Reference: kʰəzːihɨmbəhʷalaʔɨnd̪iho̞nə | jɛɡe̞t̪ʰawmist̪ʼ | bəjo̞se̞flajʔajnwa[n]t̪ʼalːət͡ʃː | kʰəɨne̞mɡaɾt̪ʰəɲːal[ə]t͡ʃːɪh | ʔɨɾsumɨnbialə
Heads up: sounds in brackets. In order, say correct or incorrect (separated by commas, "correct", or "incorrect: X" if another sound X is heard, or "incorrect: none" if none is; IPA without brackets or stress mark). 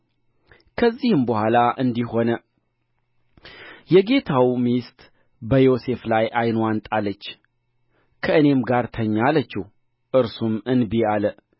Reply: correct, correct